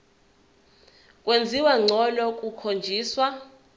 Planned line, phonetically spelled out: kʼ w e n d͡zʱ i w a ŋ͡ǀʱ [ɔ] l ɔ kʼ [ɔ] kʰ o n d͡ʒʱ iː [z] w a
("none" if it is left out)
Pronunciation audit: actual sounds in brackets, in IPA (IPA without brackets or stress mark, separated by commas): ɔ, u, s